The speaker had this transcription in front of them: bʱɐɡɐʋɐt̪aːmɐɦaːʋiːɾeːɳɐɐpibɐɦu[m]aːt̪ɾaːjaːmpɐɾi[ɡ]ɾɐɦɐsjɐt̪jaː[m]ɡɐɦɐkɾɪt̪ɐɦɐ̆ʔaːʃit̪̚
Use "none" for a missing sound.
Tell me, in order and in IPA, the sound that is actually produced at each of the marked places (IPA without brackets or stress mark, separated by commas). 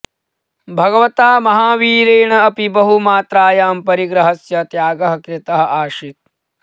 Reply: m, ɡ, none